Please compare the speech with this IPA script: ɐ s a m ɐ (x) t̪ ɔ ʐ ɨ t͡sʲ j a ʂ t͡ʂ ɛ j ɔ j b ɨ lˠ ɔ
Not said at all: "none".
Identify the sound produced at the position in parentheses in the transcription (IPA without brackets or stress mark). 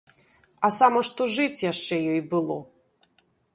ʂ